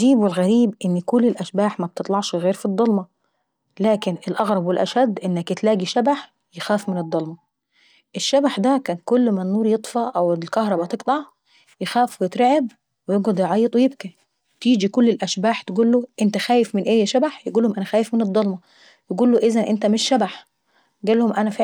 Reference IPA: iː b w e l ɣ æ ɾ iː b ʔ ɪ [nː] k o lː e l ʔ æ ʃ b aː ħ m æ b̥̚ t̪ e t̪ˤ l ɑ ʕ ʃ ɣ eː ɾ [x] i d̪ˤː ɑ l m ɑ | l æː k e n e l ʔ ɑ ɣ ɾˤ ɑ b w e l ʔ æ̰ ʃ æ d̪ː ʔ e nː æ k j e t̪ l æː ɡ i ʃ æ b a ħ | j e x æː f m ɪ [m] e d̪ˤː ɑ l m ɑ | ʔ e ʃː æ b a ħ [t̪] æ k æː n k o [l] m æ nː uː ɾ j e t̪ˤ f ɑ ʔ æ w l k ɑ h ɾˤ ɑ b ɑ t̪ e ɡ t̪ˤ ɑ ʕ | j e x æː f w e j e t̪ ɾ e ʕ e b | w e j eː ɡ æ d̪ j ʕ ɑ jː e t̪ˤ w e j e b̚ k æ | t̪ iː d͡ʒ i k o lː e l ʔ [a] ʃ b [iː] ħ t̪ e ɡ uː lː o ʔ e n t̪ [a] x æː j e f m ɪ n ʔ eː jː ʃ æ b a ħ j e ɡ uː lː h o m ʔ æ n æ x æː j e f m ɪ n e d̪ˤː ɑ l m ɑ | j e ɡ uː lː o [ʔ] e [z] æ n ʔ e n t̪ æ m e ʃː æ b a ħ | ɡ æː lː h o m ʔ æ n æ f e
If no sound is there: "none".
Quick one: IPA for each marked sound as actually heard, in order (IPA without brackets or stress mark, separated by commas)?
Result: nː, f, n, d̪, lː, æ, aː, æ, ʔ, z